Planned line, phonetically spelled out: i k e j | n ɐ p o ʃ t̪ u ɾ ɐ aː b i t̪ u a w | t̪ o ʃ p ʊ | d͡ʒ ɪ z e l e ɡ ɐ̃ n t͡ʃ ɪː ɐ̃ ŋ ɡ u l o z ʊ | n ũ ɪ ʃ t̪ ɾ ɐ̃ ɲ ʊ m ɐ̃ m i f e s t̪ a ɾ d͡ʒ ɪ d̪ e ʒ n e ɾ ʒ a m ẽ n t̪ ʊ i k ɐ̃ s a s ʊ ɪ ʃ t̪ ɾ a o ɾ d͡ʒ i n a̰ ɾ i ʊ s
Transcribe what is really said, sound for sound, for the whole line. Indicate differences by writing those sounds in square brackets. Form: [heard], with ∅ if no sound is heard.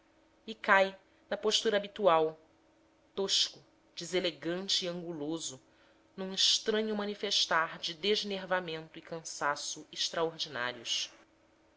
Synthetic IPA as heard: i k [a] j | n ɐ p o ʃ t̪ u ɾ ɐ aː b i t̪ u a w | t̪ o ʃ [k] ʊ | d͡ʒ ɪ z e l e ɡ ɐ̃ n t͡ʃ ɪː ɐ̃ ŋ ɡ u l o z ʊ | n ũ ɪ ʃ t̪ ɾ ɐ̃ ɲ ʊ m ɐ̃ [n] i f e [ʃ] t̪ a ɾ d͡ʒ ɪ d̪ e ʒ n e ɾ [v] a m ẽ n t̪ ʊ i k ɐ̃ s a s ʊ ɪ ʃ t̪ ɾ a o ɾ d͡ʒ i n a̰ ɾ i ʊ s